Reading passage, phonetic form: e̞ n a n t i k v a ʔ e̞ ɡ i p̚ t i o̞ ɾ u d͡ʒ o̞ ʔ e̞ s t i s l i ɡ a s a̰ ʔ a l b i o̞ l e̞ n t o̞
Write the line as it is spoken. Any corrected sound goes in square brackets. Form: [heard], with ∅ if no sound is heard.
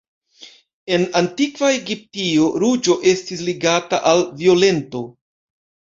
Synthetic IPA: e̞ n a n t i k v a [∅] e̞ ɡ i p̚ t i o̞ ɾ u d͡ʒ o̞ ʔ e̞ s t i s l i ɡ a [t] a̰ ʔ a l [v] i o̞ l e̞ n t o̞

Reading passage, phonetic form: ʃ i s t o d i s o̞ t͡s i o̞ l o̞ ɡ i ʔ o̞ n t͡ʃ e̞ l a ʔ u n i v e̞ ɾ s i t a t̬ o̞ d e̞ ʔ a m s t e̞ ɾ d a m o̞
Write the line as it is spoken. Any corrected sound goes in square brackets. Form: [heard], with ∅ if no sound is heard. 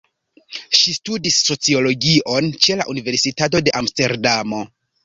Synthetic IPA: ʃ i s t [u] d i [sː] o̞ t͡s i o̞ l o̞ ɡ i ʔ o̞ n t͡ʃ e̞ l a ʔ u n i v e̞ ɾ s i t a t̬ o̞ d e̞ ʔ a m s t e̞ ɾ d a m o̞

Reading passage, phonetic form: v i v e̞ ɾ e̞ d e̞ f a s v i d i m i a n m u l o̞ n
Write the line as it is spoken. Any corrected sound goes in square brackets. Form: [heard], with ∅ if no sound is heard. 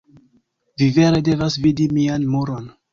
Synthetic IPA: v i v e̞ ɾ e̞ d e̞ [v] a s v i d i m i a n m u [ɾ] o̞ n

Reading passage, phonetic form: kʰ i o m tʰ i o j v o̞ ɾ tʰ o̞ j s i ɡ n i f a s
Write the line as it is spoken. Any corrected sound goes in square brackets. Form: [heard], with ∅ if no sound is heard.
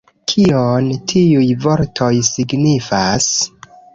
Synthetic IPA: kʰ i o [n] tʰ i [u] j v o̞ ɾ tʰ o̞ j s i ɡ n i f a s

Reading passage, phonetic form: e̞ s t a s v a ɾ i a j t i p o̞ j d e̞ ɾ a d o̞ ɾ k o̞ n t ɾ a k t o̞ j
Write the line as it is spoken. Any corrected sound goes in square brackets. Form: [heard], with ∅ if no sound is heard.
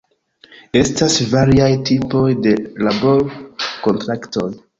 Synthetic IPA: e̞ s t a s v a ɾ i a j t i p o̞ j d e̞ [l] a [b] o̞ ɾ k o̞ n t ɾ a k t o̞ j

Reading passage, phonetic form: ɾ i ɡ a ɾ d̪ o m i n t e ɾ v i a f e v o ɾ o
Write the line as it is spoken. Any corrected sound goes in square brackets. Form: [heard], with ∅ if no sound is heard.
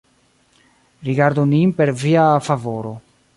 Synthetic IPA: ɾ i ɡ a ɾ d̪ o [n] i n [p] e ɾ v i a f [a] v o ɾ o

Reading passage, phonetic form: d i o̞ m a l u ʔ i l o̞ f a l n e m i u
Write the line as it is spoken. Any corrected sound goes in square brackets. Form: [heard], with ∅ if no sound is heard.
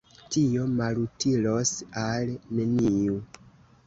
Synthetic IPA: [t] i o̞ m a l u [t] i l o̞ [s] a l n e [n] i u

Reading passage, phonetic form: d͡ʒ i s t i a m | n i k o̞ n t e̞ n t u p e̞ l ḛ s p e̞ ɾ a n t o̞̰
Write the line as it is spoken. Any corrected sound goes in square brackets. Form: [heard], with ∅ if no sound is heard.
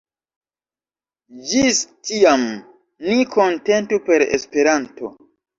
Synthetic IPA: d͡ʒ i s t i a m | n i k o̞ n t e̞ n t u p e̞ [ɾ] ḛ s p e̞ ɾ a n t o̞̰

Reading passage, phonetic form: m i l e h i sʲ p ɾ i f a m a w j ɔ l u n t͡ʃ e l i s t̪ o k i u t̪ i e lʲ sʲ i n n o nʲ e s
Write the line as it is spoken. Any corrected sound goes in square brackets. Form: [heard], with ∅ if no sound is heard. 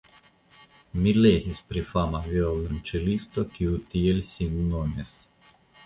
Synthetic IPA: m i l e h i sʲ p ɾ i f a m a [v] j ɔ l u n t͡ʃ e l i s t̪ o k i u t̪ i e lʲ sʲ i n n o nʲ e s

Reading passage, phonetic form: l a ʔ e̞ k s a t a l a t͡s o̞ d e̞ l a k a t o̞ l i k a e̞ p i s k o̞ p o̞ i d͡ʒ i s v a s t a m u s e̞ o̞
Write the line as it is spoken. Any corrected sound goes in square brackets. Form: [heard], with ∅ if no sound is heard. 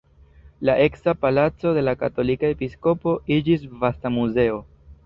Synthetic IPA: l a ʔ e̞ k s a [p] a l a t͡s o̞ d e̞ l a k a t o̞ l i k a e̞ p i s k o̞ p o̞ i d͡ʒ i s v a s t a m u [z] e̞ o̞

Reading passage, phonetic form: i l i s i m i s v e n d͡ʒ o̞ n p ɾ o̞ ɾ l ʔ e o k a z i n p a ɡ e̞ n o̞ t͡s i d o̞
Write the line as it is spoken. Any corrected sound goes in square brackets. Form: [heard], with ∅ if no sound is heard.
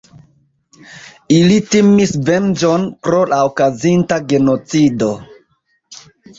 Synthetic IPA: i l i [t] i m i s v e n d͡ʒ o̞ n p ɾ o̞ [∅] l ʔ [a] o k a z i n [t] a ɡ e̞ n o̞ t͡s i d o̞

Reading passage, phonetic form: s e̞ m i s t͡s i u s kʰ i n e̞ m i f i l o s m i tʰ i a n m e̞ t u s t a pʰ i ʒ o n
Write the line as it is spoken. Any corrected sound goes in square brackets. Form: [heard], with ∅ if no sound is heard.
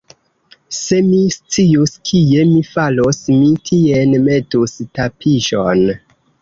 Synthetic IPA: s e̞ m i s t͡s i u s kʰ i [∅] e̞ m i f [a] l o s m i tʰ i [e] n m e̞ t u s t a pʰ i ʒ o n

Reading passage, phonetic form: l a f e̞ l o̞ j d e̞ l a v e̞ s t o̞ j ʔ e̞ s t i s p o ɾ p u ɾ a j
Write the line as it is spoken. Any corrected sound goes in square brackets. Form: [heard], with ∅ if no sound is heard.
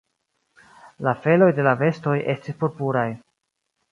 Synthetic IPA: l a f e̞ l o̞ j d e̞ l a v e̞ s t o̞ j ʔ e̞ s t i s p o ɾ p u ɾ a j

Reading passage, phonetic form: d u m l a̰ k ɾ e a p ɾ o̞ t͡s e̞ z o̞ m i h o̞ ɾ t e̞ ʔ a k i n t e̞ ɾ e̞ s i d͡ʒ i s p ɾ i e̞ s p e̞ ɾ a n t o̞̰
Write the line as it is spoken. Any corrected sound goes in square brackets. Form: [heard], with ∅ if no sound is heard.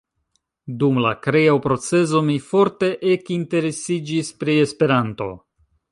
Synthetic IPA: d u m l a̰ k ɾ e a p ɾ o̞ t͡s e̞ z o̞ m i [f] o̞ ɾ t e̞ ʔ [e] k i n t e̞ ɾ e̞ s i d͡ʒ i s p ɾ i e̞ s p e̞ ɾ a n t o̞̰

